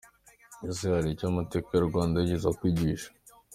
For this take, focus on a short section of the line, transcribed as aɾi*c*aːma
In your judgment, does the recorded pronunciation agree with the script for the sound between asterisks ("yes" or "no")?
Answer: yes